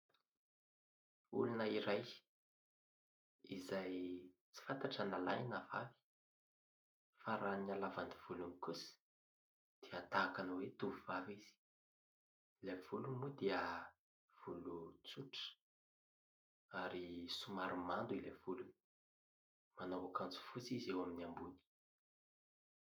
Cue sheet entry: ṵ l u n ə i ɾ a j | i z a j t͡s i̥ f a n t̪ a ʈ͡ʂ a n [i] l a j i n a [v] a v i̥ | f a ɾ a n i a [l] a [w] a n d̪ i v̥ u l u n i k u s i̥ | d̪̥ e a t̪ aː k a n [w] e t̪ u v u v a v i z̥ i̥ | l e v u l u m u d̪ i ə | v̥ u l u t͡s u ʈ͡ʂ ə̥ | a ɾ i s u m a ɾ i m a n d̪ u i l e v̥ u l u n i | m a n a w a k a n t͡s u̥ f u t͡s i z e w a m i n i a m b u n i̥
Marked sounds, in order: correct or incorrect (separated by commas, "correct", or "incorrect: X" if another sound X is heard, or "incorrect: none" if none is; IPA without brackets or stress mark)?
incorrect: a, correct, correct, incorrect: v, correct